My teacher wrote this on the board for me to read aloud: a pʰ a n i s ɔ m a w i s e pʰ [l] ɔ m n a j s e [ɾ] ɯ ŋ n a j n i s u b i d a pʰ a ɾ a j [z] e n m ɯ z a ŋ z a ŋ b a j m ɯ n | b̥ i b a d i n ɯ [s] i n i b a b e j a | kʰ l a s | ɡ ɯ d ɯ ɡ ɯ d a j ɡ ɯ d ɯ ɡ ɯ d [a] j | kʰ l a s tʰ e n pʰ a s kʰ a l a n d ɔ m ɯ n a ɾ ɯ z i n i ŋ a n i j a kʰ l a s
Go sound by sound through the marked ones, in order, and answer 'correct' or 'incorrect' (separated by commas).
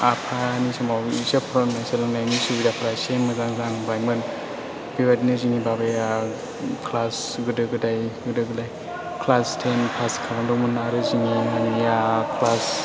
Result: incorrect, incorrect, incorrect, incorrect, correct